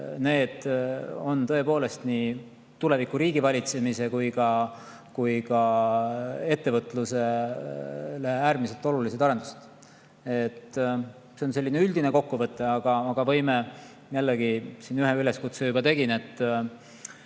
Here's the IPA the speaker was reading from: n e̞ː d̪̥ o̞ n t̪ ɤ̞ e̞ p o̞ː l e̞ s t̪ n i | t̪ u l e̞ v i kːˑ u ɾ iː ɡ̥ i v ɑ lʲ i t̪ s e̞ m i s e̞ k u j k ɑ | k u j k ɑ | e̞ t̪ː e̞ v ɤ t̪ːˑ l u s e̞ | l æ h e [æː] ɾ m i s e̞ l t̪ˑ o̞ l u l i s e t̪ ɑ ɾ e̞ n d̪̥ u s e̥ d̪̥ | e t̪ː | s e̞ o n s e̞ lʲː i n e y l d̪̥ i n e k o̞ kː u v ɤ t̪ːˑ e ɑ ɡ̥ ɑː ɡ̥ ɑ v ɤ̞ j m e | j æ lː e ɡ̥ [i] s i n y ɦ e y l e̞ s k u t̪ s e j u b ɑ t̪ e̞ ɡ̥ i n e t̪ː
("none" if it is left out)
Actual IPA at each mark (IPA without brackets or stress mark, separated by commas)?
æː, i